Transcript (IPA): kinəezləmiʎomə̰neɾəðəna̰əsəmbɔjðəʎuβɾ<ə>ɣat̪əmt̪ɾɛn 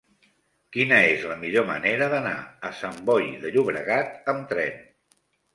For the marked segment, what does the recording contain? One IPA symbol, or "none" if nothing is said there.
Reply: ə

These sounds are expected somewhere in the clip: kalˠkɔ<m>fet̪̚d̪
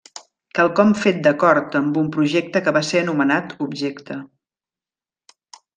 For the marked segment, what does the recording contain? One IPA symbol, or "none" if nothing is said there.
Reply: m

